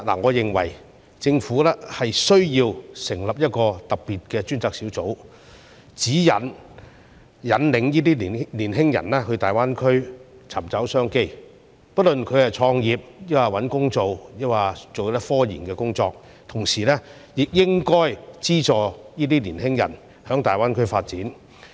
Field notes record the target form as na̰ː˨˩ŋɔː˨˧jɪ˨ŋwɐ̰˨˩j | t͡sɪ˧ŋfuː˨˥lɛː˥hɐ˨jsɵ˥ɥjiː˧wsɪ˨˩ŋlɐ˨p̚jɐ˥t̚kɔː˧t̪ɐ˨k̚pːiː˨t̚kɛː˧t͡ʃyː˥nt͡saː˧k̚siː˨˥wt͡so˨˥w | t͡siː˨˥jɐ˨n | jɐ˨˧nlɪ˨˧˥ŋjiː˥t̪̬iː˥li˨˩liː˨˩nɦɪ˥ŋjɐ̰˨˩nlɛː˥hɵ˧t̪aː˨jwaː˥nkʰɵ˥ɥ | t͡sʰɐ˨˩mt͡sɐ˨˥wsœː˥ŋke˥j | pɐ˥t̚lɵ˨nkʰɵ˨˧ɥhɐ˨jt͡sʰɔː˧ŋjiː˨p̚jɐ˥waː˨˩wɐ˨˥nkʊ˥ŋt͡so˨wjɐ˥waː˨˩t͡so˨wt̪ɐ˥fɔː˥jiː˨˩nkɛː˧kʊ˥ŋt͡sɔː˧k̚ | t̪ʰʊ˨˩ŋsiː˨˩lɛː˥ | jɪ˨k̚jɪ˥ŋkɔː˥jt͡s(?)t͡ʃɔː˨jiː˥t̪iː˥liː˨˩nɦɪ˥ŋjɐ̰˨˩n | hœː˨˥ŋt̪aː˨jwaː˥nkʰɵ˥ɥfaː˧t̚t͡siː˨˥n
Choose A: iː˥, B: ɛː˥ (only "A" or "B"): A